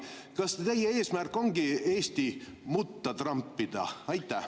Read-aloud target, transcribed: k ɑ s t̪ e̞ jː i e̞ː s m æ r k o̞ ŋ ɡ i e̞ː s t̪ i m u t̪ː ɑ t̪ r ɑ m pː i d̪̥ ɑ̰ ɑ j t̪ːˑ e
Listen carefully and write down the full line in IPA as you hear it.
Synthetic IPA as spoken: k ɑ s t̪ e̞ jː e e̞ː s m æ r k o̞ ŋ ɡ i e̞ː s t̪ i m u t̪ː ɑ t̪ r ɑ m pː i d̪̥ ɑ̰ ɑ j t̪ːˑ æ